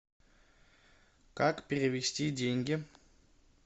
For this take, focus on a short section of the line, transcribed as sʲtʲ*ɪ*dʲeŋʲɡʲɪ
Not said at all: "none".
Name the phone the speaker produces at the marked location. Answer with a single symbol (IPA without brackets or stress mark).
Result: i